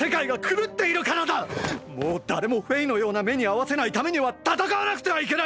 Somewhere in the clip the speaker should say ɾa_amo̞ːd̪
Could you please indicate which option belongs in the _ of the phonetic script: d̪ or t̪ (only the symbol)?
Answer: d̪